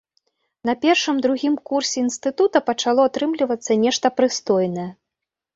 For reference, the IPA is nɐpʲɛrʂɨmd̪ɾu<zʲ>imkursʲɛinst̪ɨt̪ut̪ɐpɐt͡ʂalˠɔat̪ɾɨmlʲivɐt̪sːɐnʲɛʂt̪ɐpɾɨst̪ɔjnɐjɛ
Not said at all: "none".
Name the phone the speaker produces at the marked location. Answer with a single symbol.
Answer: ɣʲ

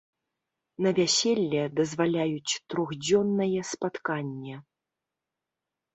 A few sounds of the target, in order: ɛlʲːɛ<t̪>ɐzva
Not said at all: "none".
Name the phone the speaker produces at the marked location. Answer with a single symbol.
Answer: d̪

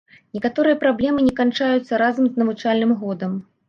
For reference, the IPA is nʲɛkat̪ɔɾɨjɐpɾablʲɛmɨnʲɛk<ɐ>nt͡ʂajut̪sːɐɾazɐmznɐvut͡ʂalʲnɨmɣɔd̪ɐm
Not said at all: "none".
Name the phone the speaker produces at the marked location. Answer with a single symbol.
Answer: a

